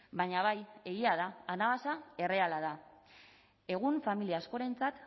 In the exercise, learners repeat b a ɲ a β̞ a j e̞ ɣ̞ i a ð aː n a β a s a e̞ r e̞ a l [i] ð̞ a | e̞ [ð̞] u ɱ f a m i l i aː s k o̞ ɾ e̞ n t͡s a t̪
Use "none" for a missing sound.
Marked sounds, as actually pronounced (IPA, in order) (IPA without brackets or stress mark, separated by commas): a, ɣ̞